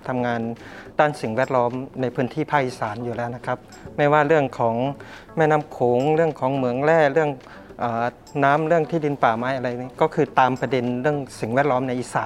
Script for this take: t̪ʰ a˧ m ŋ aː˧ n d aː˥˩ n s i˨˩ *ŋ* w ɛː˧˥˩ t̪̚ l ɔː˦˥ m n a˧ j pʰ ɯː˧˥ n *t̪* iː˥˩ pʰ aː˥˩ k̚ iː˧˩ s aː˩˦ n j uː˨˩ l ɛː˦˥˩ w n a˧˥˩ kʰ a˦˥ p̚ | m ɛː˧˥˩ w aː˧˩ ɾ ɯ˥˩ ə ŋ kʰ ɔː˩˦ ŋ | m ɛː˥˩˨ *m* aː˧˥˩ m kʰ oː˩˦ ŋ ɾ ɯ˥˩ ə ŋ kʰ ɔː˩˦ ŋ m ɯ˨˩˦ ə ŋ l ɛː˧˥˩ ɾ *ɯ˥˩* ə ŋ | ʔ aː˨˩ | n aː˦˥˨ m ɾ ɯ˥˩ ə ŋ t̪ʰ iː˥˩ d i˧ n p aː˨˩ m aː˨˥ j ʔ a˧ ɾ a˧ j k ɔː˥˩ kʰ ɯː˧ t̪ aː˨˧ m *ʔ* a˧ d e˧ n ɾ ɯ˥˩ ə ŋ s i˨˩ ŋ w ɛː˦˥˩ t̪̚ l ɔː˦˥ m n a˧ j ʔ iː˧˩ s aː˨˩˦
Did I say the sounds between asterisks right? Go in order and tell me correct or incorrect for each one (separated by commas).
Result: correct, incorrect, incorrect, correct, incorrect